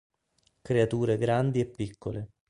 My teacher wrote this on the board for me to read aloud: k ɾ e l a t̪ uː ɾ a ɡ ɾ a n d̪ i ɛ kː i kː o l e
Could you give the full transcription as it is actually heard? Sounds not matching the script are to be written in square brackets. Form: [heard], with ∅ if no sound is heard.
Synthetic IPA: k ɾ e [∅] a t̪ uː ɾ [e] ɡ ɾ a n d̪ i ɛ [pː] i kː o l e

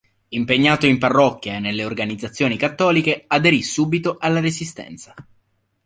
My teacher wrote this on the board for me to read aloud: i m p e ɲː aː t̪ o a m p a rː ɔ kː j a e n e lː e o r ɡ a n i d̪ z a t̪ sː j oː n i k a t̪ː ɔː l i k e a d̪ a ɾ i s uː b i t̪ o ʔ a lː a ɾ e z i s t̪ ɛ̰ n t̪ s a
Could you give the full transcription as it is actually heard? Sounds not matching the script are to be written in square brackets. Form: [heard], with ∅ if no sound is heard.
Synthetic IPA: i m p e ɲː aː t̪ o [i] m p a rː ɔ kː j a e n e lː e o r ɡ a n i d̪ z a t̪ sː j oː n i k a t̪ː ɔː l i k e a d̪ [e] ɾ i s uː b i t̪ o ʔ a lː a ɾ e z i s t̪ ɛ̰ n t̪ s a

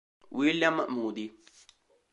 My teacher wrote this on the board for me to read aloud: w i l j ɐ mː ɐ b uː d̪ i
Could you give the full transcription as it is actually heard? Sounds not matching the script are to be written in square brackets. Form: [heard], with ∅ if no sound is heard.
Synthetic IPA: w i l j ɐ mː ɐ [m] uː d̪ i

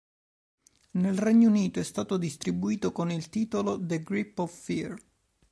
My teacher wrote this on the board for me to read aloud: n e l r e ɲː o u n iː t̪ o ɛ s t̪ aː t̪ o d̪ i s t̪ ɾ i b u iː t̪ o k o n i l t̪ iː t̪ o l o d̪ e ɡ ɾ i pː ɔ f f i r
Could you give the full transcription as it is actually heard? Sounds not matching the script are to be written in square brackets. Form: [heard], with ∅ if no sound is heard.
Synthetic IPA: n e l r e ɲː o u n iː t̪ o ɛ s t̪ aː t̪ o d̪ i s t̪ ɾ i b u iː t̪ o k o n i l t̪ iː t̪ o l o d̪ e ɡ ɾ i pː ɔ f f i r

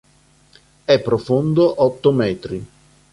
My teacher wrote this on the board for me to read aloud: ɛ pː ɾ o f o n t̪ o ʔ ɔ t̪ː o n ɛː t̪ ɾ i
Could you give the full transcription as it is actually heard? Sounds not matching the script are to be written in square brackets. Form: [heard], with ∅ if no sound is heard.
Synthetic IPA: ɛ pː ɾ o f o n [d̪] o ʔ ɔ t̪ː o [m] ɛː t̪ ɾ i

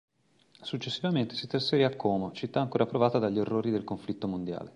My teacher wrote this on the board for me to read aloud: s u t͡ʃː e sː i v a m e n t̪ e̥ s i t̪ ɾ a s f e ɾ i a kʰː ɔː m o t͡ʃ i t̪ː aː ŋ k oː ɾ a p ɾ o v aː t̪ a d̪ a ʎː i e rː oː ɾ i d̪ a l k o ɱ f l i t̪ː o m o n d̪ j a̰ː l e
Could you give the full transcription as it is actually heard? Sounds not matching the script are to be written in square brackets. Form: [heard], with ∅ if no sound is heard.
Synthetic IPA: s u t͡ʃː e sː i v a m e n t̪ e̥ s i t̪ ɾ a s f e ɾ i a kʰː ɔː m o t͡ʃ i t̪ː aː ŋ k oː ɾ a p ɾ o v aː t̪ a d̪ a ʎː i e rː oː ɾ i d̪ [e] l k o ɱ f l i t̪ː o m o n d̪ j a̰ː l e

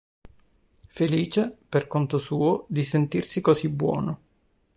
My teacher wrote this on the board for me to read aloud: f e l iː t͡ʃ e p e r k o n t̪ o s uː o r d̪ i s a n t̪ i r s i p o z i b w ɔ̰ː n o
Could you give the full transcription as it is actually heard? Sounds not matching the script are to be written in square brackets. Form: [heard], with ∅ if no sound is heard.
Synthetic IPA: f e l iː t͡ʃ e p e r k o n t̪ o s uː o [∅] d̪ i s [e] n t̪ i r s i [k] o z i b w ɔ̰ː n o

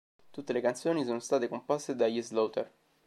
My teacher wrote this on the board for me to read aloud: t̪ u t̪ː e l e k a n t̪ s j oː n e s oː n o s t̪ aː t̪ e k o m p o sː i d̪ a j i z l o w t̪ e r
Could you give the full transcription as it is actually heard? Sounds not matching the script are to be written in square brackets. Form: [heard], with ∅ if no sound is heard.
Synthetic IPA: t̪ u t̪ː e l e k a n t̪ s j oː n [i] s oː n o s t̪ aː t̪ e k o m p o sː [e] d̪ a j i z l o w t̪ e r

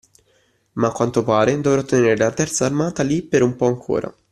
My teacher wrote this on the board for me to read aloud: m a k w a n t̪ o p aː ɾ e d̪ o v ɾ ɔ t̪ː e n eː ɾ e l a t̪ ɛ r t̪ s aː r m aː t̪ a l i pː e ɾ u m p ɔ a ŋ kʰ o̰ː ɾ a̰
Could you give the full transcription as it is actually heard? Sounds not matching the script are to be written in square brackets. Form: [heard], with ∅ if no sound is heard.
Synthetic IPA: m a k w a n t̪ o p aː ɾ e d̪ o v ɾ ɔ t̪ː e n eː ɾ e l a t̪ ɛ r t̪ s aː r m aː t̪ a l i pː e ɾ u m p ɔ a ŋ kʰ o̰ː ɾ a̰

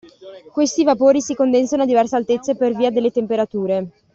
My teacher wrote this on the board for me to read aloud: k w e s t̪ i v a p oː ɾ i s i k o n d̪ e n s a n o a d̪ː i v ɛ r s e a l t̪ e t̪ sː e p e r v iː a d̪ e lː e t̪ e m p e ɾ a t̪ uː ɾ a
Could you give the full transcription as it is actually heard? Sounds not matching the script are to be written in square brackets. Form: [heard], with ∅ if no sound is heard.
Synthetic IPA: k w e s t̪ i v a p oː ɾ i s i k o n d̪ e n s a n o a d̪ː i v ɛ r s e a l t̪ e t̪ sː e p e r v iː a d̪ e lː e t̪ e m p e ɾ a t̪ uː ɾ [e]

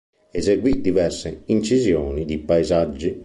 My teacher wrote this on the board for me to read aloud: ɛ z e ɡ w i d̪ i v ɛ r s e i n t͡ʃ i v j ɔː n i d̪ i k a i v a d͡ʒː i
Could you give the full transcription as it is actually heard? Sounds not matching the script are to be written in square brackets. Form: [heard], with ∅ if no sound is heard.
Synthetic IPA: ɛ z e ɡ w i d̪ i v ɛ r s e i n t͡ʃ i [z] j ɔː n i d̪ i [p] a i [z] a d͡ʒː i

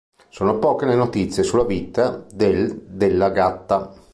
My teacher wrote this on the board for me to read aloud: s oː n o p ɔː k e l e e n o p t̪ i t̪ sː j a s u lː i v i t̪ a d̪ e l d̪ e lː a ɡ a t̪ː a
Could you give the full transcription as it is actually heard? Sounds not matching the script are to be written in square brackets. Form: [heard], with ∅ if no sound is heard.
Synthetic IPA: s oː n o p ɔː k e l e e n o [∅] t̪ i t̪ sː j [e] s u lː [a] v i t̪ a d̪ e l d̪ e lː a ɡ a t̪ː a

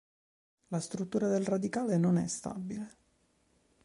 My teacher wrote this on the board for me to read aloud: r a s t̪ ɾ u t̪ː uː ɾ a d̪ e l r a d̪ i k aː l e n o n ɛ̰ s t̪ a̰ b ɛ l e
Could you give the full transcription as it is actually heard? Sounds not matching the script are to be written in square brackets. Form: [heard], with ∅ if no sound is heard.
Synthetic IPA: [l] a s t̪ ɾ u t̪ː uː ɾ a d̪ e l r a d̪ i k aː l e n o n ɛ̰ s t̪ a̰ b [i] l e

